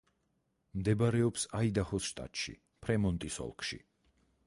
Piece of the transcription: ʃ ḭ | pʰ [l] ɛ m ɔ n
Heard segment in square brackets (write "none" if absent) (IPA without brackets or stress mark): ɾ